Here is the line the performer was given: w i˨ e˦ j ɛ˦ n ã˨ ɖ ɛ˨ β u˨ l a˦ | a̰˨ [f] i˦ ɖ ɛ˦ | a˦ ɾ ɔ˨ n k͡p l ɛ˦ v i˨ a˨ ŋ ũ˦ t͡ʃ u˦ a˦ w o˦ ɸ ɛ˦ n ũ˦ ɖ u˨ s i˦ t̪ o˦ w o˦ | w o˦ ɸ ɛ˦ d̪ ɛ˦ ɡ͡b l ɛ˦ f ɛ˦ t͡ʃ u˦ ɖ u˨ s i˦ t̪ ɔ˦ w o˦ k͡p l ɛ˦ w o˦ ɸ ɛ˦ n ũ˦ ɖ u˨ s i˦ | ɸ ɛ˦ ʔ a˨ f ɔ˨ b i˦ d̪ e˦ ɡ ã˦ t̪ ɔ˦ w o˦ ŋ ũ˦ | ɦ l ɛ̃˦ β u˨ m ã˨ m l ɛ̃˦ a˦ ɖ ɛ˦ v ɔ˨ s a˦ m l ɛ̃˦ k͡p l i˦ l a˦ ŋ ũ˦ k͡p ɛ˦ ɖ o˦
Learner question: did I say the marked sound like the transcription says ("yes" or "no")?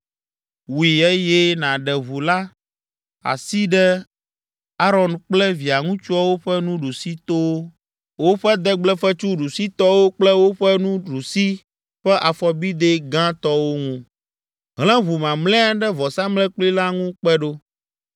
no